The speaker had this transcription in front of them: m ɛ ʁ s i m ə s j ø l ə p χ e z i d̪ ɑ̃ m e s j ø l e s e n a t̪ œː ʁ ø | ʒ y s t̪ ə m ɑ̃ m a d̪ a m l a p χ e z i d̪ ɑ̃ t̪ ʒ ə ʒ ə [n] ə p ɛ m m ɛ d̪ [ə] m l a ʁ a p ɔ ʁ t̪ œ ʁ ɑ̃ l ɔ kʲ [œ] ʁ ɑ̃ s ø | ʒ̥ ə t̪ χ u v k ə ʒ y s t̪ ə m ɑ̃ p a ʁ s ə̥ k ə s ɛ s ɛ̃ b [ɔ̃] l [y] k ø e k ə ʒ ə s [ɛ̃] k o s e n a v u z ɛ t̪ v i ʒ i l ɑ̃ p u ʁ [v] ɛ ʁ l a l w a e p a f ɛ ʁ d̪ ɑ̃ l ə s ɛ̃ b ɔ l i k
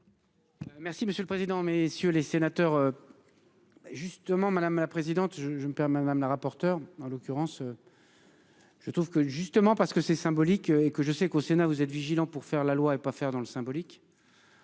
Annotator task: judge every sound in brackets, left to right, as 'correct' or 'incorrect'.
incorrect, incorrect, incorrect, incorrect, incorrect, incorrect, incorrect

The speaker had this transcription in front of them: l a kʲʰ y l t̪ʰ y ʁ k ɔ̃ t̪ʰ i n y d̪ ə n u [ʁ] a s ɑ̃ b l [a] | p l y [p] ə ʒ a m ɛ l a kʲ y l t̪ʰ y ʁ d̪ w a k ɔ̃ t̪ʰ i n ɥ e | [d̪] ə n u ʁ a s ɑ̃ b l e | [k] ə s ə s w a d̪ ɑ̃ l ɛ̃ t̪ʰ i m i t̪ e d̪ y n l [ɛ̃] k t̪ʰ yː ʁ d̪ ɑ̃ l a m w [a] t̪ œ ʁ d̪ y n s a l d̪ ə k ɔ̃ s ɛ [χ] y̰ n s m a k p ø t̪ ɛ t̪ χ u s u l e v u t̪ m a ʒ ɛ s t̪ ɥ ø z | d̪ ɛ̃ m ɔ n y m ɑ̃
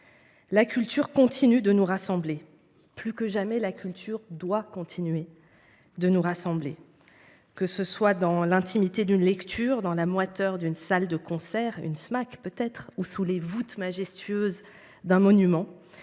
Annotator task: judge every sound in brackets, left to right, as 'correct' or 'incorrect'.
correct, incorrect, incorrect, correct, correct, incorrect, correct, incorrect

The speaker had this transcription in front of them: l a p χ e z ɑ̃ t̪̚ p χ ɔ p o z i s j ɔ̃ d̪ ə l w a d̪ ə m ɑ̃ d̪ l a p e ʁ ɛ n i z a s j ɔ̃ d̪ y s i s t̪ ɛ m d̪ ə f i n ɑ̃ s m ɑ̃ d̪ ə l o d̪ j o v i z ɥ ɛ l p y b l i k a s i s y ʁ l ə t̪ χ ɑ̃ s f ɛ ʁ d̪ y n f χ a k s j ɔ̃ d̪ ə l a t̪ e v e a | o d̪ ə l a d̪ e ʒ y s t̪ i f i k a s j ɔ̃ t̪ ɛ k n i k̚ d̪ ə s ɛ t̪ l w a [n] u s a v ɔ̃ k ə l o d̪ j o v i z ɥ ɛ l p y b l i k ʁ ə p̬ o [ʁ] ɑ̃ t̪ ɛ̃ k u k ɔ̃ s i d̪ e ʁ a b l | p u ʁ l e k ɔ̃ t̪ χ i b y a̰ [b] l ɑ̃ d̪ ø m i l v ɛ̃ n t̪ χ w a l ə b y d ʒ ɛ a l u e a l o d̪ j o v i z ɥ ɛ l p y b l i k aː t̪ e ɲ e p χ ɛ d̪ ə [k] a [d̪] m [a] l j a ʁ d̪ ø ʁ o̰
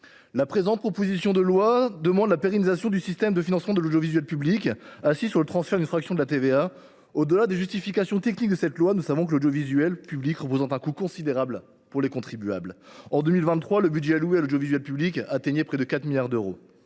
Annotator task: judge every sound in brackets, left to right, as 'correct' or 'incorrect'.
correct, incorrect, correct, correct, incorrect, incorrect

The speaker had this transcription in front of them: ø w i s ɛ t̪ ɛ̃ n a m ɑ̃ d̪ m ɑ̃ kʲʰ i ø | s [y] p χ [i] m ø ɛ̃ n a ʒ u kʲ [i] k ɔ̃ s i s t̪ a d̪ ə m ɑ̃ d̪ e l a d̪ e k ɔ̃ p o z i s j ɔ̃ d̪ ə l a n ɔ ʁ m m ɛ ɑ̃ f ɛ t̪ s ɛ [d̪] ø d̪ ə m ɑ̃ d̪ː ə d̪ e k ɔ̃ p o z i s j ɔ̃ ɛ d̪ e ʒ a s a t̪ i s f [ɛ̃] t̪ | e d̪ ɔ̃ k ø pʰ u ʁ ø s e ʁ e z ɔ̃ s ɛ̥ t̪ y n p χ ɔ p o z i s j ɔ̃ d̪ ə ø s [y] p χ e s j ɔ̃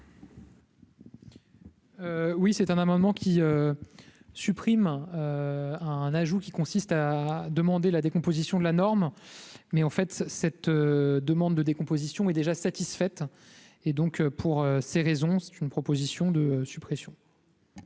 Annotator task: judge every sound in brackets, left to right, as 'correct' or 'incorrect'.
correct, correct, correct, incorrect, incorrect, correct

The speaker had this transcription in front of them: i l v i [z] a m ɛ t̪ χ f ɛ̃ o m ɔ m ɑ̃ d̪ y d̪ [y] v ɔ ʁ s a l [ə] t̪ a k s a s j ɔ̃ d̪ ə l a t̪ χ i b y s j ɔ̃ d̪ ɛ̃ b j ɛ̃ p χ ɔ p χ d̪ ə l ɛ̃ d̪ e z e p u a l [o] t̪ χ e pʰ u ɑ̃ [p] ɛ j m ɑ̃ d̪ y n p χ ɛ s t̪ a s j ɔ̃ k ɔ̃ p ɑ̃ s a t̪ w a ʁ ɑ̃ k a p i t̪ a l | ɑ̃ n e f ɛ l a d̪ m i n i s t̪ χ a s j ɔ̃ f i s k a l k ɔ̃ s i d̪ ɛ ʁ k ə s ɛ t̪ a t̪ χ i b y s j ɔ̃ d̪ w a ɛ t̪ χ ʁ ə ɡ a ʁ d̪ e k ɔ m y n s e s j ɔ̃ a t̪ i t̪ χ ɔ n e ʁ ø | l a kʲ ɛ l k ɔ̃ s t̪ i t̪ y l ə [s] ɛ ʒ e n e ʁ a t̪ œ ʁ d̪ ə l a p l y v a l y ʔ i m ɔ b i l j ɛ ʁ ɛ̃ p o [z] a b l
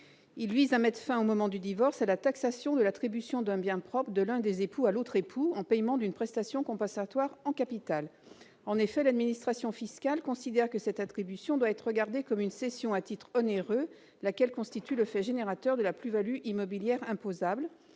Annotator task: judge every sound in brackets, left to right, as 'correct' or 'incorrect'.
correct, incorrect, incorrect, correct, correct, incorrect, correct

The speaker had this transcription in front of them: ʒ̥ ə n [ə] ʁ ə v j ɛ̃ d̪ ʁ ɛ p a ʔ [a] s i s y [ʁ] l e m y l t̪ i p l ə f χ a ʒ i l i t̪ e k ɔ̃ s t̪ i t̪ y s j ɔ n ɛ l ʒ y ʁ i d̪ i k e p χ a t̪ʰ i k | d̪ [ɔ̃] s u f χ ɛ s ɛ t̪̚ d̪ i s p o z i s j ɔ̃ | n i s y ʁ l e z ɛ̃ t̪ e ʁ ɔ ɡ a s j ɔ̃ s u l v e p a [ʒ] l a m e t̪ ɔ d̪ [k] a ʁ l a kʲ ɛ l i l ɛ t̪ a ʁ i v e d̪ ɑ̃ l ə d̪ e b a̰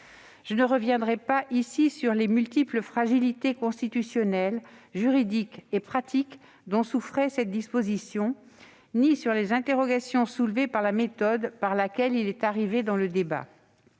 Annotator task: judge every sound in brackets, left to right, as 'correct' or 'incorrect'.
correct, incorrect, correct, correct, incorrect, incorrect

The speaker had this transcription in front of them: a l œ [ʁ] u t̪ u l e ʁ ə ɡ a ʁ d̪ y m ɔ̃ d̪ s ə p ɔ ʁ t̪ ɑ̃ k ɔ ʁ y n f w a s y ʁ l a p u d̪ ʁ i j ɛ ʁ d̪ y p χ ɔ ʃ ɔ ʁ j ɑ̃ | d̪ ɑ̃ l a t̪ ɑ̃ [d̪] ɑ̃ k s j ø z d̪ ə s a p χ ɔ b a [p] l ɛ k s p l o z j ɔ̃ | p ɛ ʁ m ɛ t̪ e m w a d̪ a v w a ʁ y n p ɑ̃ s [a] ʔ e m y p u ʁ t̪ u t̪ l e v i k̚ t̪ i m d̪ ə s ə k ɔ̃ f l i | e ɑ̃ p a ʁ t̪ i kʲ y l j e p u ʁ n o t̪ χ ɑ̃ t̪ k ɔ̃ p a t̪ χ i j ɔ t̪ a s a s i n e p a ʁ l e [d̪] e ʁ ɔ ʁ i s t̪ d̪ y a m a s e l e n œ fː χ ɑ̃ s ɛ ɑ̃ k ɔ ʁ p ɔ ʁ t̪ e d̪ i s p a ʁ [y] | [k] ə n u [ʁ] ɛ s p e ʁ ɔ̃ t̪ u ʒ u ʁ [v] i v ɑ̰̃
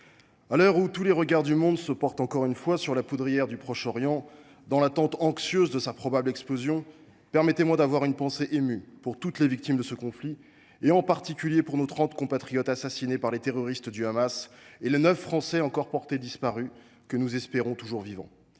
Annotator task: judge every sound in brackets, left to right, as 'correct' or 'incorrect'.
correct, incorrect, incorrect, incorrect, incorrect, correct, correct, incorrect, correct

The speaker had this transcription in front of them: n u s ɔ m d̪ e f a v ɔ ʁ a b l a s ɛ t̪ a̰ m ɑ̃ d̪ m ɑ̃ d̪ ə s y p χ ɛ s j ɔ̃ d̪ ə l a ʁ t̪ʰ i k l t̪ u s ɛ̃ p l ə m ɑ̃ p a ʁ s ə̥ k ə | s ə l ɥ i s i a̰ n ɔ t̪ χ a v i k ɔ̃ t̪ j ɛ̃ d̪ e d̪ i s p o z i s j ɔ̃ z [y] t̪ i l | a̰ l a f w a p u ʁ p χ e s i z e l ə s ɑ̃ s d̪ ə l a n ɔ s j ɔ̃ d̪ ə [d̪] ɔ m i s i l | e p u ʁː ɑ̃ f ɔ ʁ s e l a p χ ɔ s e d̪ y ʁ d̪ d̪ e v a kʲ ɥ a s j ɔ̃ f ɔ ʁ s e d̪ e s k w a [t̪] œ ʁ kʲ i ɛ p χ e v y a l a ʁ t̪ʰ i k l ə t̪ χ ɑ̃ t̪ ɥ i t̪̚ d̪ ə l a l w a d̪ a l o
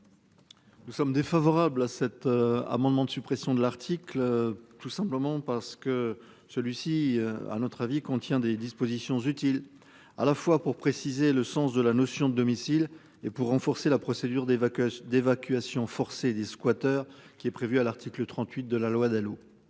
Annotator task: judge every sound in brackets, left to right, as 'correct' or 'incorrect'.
correct, correct, correct

